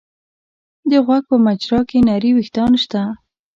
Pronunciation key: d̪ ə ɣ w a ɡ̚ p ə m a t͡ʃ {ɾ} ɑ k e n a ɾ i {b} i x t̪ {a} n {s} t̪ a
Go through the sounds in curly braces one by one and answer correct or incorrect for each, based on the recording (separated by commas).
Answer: correct, incorrect, incorrect, incorrect